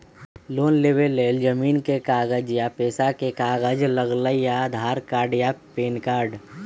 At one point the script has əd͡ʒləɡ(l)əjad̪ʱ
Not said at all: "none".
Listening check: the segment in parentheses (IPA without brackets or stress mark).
l